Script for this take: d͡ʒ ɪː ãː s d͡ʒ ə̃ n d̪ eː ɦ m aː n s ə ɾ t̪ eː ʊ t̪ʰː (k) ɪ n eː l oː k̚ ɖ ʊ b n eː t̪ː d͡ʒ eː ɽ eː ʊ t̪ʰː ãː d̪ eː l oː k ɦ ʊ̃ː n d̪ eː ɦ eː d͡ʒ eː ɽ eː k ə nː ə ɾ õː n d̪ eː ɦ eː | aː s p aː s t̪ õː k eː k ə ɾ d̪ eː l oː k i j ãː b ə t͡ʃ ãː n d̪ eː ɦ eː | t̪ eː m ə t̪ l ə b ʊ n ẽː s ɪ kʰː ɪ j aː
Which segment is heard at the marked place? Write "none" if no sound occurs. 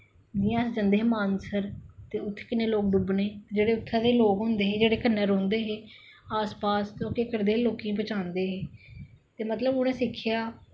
k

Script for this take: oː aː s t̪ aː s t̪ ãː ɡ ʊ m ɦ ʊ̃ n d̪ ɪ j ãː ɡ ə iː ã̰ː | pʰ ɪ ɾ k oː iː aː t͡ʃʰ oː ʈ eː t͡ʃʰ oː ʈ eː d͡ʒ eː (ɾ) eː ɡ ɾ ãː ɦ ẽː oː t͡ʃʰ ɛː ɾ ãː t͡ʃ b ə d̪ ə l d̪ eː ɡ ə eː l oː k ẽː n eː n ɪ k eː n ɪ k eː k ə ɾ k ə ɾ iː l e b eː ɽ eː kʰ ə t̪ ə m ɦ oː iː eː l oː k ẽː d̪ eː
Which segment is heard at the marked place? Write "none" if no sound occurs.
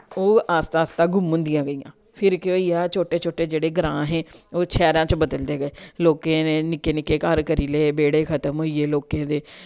ɽ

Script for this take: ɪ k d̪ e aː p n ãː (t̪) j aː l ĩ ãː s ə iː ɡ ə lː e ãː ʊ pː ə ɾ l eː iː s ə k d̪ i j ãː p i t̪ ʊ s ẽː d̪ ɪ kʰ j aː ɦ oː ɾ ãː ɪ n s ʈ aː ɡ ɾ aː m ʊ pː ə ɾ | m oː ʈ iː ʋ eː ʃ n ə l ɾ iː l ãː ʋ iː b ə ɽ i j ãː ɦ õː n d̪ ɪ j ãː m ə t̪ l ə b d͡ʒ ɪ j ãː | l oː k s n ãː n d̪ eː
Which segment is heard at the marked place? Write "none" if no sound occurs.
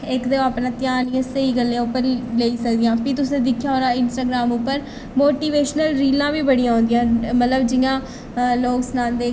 t̪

